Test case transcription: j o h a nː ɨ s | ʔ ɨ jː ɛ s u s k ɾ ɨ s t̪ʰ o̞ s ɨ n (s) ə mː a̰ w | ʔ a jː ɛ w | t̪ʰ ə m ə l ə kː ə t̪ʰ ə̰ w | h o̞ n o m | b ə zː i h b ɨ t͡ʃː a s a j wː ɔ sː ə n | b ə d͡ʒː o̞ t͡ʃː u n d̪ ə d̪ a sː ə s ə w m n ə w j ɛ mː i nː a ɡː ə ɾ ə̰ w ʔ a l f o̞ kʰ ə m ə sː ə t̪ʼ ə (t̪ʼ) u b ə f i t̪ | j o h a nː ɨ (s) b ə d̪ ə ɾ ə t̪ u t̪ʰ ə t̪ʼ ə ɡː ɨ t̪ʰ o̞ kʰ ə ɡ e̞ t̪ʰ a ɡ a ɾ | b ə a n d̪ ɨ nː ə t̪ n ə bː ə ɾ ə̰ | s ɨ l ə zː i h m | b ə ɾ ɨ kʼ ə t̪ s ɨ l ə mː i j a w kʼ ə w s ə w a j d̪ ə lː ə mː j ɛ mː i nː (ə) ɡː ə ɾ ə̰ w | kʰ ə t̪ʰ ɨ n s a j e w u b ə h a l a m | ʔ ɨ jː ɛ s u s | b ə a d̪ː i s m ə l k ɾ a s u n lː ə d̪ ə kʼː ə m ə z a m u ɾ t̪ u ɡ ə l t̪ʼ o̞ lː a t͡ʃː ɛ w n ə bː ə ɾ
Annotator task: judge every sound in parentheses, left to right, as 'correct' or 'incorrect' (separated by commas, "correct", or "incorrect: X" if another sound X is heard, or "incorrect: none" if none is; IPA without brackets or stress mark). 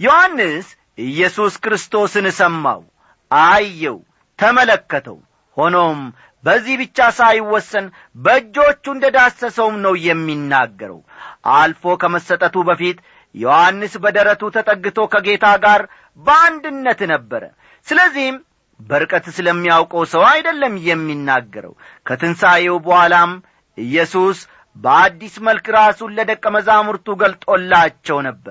correct, incorrect: t̪, correct, incorrect: a